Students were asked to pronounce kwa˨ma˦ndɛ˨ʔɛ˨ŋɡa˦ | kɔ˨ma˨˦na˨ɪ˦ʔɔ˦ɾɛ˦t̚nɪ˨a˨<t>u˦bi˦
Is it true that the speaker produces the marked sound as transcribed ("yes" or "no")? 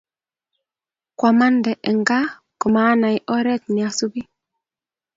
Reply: no